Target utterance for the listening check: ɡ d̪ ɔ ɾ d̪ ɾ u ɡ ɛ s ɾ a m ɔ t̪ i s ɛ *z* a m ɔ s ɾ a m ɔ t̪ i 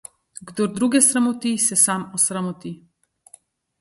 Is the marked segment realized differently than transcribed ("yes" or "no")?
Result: yes